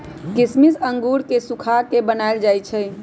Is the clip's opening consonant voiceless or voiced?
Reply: voiceless